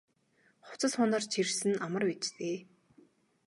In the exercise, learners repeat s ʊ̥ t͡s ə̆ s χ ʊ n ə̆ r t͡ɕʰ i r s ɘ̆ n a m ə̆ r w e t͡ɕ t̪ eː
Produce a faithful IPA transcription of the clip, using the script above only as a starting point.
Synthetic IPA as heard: χ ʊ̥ t͡s ə̆ s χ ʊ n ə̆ r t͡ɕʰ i r s ɘ̆ n a m ə̆ r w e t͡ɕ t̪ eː